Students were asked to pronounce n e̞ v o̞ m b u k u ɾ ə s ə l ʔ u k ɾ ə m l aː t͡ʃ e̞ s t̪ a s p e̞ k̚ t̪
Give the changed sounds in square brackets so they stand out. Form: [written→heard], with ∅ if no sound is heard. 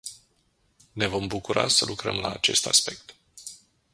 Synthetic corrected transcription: n e̞ v o̞ m b u k u ɾ [ə→a] s ə l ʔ u k ɾ ə m l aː t͡ʃ e̞ s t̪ a s p e̞ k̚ t̪